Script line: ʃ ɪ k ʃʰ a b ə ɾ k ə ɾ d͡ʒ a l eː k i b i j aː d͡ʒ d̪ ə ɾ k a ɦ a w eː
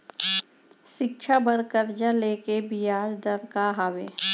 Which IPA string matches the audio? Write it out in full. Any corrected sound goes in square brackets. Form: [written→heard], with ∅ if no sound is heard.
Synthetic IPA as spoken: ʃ ɪ k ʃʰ a b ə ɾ k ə ɾ d͡ʒ a l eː k [i→e] b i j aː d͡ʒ d̪ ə ɾ k a ɦ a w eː